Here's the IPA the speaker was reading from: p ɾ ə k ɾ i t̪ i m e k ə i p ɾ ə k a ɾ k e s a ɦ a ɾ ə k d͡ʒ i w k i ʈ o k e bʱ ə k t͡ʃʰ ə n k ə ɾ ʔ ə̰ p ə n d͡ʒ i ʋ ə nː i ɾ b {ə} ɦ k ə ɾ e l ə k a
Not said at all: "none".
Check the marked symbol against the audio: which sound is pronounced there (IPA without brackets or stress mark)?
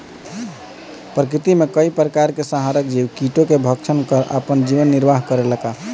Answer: a